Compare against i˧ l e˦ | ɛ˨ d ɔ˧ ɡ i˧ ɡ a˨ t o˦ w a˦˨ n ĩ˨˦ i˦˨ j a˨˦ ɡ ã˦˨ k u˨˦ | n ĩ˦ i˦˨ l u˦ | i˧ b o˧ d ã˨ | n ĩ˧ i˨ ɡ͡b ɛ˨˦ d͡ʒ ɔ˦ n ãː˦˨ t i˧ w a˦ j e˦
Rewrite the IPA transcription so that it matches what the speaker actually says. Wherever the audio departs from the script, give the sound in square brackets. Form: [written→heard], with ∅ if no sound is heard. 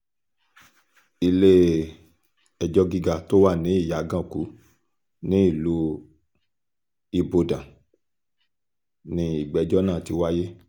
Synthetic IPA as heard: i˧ l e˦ | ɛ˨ [d→d͡ʒ] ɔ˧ ɡ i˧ ɡ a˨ t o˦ w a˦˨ n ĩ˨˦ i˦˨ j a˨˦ ɡ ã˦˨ k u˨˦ | n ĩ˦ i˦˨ l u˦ | i˧ b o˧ d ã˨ | n ĩ˧ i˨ ɡ͡b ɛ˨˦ d͡ʒ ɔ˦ n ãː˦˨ t i˧ w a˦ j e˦